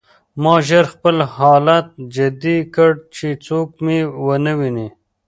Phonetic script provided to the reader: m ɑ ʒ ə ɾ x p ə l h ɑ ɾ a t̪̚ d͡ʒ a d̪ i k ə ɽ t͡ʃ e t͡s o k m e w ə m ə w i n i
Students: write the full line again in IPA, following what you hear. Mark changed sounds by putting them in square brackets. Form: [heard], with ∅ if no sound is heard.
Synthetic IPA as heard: m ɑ ʒ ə ɾ x p ə l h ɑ [l] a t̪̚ d͡ʒ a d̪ i k ə ɽ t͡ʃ e t͡s o k m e w ə [n] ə w i n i